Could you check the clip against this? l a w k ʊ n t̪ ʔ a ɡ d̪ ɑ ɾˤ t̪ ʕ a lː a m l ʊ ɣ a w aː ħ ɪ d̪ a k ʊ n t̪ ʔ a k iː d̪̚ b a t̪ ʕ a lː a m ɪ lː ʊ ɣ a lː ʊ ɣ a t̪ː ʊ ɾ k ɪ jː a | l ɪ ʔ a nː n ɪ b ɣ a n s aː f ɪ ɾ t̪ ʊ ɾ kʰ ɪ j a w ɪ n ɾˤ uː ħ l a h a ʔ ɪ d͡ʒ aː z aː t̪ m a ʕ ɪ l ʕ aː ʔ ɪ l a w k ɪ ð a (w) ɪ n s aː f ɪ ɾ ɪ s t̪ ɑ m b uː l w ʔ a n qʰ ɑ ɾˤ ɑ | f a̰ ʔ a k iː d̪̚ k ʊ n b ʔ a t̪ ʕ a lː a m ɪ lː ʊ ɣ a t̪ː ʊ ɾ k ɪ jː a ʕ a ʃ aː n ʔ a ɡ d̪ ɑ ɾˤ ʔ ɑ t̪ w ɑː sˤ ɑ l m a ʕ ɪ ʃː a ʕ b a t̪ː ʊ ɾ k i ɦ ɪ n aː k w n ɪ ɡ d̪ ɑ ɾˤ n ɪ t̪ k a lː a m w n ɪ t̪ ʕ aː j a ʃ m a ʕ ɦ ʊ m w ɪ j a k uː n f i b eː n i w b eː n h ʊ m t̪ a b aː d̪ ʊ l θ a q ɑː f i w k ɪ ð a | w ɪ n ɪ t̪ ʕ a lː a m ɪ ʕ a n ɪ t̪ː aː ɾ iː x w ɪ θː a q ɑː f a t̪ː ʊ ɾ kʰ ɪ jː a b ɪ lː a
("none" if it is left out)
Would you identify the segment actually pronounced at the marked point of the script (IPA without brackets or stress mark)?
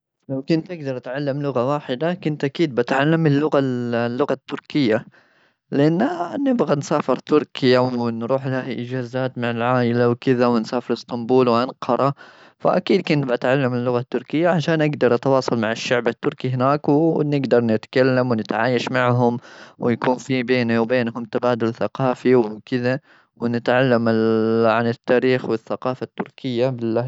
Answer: w